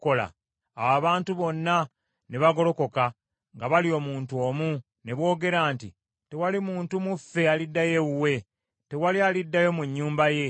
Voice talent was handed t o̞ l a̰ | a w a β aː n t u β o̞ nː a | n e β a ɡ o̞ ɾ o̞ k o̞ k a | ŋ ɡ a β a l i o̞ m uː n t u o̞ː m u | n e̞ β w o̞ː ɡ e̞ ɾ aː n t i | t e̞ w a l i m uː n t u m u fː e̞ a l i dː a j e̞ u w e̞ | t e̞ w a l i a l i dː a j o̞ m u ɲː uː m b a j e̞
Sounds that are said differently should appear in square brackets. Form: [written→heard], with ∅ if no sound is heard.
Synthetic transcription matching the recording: [t→k] o̞ l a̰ | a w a β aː n t u β o̞ nː a | n e β a ɡ o̞ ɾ o̞ k o̞ k a | ŋ ɡ a β a l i o̞ m uː n t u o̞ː m u | n e̞ β w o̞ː ɡ e̞ ɾ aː n t i | t e̞ w a l i m uː n t u m u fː e̞ a l i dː a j e̞ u w e̞ | t e̞ w a l i a l i dː a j o̞ m u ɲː uː m b a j e̞